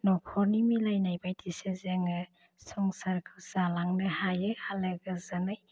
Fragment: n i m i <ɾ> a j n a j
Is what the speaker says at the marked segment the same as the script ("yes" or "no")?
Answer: no